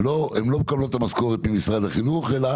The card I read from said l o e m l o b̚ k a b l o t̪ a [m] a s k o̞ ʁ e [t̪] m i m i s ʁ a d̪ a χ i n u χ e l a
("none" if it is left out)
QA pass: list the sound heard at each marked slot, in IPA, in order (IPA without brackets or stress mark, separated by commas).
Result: m, t̪